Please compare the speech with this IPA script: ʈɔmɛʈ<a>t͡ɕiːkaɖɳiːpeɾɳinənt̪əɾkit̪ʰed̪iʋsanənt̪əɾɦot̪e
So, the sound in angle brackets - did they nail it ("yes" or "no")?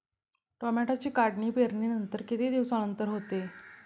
yes